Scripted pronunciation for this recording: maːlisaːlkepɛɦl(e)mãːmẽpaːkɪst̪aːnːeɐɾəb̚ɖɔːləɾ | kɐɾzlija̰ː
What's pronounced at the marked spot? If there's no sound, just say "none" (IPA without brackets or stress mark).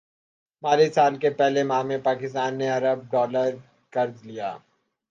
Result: e